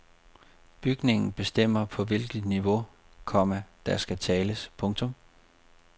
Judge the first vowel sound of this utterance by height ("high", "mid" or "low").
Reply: high